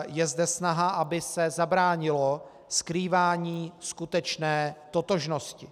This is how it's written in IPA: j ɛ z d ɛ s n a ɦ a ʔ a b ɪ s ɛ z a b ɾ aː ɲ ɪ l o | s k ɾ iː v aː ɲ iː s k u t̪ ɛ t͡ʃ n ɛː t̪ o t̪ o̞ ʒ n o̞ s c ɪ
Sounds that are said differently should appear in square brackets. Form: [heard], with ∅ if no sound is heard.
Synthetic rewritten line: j ɛ z d ɛ s n a ɦ a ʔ a b ɪ s ɛ z a b ɾ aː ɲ ɪ l o | s k ɾ iː v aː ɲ iː s k u t̪ ɛ t͡ʃ n ɛː t̪ o t̪ o̞ ʒ n o̞ s c ɪ